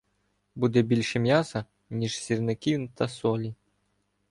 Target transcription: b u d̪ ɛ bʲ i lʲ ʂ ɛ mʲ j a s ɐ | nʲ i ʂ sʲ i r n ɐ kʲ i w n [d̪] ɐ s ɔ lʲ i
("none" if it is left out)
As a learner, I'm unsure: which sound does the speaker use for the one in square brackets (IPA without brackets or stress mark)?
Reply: t̪